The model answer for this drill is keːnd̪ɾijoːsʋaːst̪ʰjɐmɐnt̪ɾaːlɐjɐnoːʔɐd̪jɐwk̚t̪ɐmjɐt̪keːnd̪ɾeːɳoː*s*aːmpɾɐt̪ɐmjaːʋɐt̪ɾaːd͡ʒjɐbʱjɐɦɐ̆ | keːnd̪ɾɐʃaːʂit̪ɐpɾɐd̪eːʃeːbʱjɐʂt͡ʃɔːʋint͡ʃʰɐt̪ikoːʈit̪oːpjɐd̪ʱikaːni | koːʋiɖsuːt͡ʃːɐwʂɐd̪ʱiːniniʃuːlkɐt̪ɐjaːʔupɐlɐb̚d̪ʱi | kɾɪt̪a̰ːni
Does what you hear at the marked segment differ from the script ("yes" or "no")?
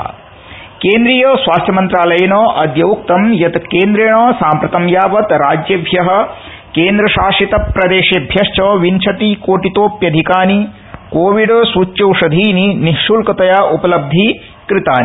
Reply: no